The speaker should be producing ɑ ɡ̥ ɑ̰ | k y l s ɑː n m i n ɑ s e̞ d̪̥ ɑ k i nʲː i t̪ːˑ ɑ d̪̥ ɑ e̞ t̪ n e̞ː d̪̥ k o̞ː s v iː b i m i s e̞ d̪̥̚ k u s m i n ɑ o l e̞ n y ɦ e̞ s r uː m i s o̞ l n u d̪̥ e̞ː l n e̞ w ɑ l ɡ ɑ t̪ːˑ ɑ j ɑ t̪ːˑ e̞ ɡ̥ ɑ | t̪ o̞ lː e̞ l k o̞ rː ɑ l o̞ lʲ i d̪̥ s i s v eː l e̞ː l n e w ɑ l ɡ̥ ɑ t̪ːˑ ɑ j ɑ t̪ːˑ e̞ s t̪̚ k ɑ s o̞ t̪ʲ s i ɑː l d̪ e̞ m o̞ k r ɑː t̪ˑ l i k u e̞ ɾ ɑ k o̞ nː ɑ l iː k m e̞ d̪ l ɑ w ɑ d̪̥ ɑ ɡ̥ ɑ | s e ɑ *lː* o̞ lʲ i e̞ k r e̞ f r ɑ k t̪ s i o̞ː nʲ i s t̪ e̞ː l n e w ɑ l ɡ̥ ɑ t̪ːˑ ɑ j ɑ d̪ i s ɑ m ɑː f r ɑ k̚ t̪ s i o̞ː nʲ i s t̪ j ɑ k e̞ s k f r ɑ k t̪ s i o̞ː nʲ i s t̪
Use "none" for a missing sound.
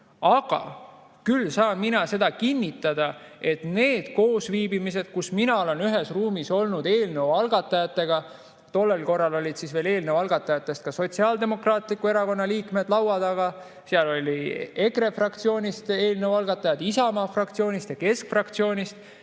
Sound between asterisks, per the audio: l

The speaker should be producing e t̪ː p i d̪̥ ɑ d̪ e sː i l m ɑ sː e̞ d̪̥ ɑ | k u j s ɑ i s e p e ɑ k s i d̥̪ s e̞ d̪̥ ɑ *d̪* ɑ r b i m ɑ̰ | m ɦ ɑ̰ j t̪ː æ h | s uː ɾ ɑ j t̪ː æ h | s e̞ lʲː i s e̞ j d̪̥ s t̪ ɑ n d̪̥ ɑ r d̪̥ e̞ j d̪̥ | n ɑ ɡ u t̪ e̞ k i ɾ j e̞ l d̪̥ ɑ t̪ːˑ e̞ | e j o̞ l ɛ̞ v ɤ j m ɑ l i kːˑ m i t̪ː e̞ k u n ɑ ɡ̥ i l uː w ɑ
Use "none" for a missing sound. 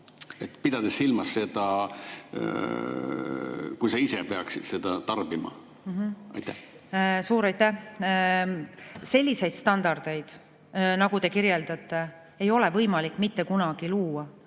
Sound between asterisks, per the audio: t̪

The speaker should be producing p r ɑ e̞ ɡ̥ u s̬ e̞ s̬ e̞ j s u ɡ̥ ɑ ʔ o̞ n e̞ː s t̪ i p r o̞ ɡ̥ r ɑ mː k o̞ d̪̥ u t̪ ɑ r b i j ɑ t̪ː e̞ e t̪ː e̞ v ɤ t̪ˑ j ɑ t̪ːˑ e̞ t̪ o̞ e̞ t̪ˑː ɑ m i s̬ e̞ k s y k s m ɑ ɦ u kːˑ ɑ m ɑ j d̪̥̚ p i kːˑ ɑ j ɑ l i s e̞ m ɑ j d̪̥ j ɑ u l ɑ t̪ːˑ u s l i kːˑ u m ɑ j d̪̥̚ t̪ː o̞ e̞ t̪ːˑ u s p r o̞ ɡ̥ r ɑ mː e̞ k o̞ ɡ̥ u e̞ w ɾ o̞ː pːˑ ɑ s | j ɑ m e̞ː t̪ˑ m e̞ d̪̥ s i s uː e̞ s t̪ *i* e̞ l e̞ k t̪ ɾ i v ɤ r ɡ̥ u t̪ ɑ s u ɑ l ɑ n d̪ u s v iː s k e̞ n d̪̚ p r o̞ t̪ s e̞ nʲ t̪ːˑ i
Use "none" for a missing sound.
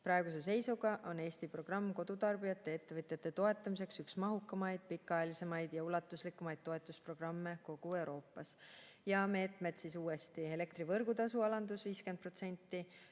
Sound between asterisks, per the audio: i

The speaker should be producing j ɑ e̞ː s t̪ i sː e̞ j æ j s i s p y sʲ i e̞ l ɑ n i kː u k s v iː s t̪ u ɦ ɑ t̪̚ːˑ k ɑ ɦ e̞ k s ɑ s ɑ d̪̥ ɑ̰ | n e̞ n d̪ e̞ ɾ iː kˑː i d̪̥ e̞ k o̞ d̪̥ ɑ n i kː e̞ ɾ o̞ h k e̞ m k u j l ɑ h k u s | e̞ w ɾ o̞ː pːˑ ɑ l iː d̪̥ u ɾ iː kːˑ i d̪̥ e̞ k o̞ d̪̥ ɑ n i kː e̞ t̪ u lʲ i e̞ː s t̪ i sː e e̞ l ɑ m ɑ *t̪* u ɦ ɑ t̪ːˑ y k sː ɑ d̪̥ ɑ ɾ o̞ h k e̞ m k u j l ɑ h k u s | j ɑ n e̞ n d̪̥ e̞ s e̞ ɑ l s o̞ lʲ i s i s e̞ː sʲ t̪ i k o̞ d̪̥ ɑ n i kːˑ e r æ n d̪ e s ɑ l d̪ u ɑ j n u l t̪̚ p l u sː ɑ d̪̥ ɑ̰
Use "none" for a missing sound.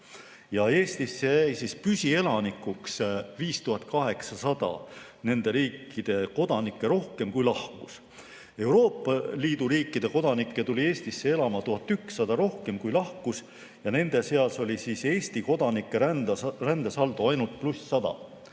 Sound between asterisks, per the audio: t̪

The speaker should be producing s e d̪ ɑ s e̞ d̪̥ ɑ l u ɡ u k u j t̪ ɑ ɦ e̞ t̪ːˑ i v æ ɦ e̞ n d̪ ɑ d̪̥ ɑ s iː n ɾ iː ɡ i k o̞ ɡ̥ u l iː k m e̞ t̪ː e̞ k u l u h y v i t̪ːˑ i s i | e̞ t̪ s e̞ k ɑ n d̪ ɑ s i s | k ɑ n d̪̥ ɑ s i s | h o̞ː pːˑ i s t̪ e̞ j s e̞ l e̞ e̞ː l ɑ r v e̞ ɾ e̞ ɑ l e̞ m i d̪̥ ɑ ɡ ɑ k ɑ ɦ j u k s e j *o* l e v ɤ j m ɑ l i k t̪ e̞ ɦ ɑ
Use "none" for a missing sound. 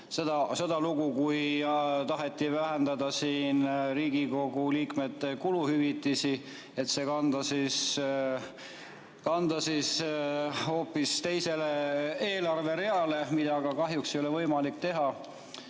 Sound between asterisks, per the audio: o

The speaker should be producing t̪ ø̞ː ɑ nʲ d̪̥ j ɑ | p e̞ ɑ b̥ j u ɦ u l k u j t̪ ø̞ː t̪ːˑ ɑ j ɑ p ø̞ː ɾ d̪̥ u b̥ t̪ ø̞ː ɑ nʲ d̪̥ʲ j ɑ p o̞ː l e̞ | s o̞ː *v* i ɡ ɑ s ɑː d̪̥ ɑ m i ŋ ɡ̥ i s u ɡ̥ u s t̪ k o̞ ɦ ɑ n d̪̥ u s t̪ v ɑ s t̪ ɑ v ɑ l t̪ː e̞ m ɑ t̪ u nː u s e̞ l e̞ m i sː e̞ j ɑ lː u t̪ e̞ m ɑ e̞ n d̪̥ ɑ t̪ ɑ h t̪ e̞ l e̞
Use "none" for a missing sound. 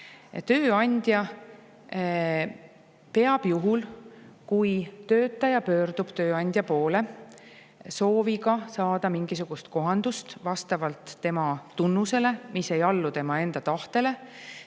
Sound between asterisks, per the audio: v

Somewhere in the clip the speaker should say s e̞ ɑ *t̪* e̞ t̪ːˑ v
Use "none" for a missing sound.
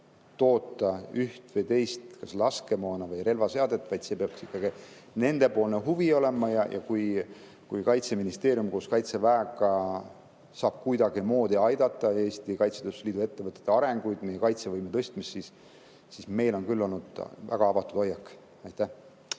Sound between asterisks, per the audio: d̪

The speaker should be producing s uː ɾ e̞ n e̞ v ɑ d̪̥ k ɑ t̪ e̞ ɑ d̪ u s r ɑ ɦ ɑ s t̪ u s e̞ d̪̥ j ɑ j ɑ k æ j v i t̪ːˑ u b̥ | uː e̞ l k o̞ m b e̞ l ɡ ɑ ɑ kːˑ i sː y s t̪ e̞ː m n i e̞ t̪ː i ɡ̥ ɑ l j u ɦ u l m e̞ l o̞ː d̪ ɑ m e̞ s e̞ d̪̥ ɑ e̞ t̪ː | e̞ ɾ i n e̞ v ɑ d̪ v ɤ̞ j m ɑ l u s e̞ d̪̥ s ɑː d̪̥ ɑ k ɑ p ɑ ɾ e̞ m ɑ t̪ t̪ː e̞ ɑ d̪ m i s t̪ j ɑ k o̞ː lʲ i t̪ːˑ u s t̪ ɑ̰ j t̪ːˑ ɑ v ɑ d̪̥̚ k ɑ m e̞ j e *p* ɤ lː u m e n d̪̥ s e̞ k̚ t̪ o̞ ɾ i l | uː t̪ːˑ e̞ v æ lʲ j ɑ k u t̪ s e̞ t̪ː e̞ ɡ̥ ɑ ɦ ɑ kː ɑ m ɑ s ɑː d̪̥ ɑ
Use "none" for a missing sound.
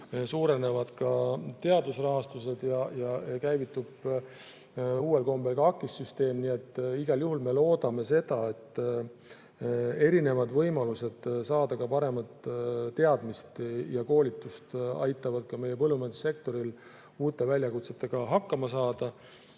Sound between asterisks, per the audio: p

